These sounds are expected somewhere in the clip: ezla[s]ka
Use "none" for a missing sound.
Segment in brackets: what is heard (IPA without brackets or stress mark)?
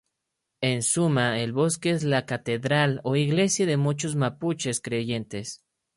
none